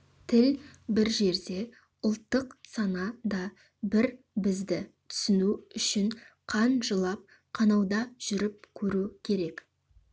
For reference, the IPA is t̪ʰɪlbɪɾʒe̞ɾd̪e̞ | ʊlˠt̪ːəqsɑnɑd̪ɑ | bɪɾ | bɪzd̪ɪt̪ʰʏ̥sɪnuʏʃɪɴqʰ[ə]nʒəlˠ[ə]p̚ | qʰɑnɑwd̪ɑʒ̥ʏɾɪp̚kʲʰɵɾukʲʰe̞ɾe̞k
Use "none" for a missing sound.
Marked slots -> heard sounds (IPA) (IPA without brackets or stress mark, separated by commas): ɑ, ɑ